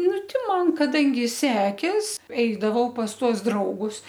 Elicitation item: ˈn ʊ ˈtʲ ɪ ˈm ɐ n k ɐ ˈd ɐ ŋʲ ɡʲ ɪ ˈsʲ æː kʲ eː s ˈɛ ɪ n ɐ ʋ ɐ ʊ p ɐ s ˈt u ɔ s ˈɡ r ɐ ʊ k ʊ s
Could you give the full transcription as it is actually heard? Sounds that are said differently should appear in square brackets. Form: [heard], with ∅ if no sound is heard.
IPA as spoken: ˈn ʊ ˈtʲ ɪ ˈm ɐ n k ɐ ˈd ɐ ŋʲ ɡʲ ɪ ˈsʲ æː kʲ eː s ˈɛ ɪ [d] ɐ ʋ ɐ ʊ p ɐ s ˈt u ɔ s [ˈd] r ɐ ʊ [ɡ] ʊ s